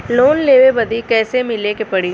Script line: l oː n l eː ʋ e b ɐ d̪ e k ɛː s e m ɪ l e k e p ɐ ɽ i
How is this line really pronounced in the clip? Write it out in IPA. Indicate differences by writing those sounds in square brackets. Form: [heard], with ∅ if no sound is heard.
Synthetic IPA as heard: l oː n l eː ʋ e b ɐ d̪ [i] k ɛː s e m ɪ l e k e p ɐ ɽ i